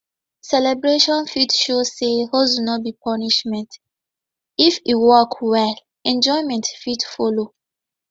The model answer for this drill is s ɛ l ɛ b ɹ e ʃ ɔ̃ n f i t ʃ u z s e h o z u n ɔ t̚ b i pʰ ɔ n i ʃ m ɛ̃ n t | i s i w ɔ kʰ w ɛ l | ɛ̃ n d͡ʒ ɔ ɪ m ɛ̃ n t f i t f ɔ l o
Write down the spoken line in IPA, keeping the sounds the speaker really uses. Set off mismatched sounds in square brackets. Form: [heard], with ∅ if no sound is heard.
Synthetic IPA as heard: s ɛ l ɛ b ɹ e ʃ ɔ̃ n f i t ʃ [o] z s e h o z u n ɔ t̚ b i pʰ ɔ n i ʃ m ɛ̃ n t | i [f] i w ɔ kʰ w ɛ l | ɛ̃ n d͡ʒ ɔ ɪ m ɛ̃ n t f i t f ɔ l o